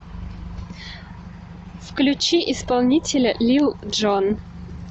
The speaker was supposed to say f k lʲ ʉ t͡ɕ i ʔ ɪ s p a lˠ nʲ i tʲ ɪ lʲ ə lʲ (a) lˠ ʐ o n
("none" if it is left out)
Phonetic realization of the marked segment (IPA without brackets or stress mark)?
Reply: i